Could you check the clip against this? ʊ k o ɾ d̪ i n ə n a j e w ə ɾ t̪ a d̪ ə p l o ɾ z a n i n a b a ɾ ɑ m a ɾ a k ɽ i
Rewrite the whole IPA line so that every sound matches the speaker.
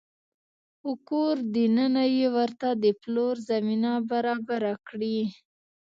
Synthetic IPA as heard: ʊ k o ɾ d̪ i n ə n a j e w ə ɾ t̪ a d̪ ə p l o ɾ z a m i n a b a ɾ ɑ b a ɾ a k ɽ i